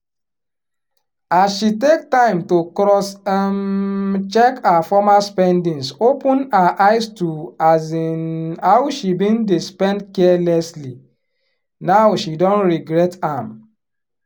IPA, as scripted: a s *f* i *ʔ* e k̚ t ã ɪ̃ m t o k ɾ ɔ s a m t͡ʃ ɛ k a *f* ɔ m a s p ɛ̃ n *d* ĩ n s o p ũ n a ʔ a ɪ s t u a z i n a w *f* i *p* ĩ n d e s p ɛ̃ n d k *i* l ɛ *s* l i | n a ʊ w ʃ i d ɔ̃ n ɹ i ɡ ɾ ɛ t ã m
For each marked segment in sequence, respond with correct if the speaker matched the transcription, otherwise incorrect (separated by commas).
incorrect, incorrect, correct, correct, incorrect, incorrect, incorrect, correct